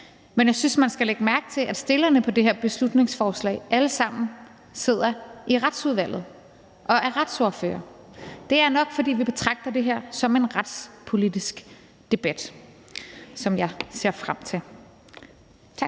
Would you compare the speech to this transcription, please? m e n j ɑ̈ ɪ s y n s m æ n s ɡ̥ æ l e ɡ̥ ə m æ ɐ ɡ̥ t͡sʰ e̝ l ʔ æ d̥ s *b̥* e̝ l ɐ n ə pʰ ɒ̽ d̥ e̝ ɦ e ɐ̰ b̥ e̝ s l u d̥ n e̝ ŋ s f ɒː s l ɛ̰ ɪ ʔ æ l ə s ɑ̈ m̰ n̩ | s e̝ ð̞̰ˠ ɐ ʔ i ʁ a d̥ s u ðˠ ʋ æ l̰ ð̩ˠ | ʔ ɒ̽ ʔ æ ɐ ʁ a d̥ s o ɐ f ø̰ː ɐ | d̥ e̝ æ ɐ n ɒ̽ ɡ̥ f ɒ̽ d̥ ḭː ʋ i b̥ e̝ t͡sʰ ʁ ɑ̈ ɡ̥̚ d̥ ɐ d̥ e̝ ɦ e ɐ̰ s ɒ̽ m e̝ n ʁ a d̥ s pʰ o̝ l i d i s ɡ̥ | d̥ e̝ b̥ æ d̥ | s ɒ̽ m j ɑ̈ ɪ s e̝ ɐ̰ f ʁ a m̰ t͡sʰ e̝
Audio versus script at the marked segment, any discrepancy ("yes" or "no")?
yes